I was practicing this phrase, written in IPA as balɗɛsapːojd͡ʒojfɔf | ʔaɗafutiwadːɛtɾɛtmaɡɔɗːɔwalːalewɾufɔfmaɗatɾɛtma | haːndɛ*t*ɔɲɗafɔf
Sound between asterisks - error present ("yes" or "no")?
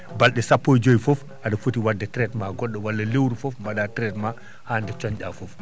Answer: yes